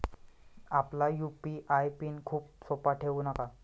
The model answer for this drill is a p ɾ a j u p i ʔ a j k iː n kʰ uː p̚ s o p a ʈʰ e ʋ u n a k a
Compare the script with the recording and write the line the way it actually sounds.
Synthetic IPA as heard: a p l a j u p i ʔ a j p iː n kʰ uː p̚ s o p a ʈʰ e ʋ u n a k a